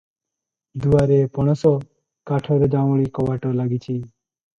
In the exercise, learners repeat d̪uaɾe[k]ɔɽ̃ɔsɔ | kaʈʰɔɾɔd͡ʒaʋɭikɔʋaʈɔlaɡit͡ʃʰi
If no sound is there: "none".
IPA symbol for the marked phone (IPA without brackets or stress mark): p